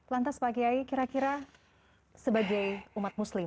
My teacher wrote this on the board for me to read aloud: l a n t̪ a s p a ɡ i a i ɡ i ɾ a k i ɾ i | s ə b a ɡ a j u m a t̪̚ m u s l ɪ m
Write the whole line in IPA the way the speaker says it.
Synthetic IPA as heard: l a n t̪ a s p a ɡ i a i k i ɾ a k i ɾ a | s ə b a ɡ a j u m a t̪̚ m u s l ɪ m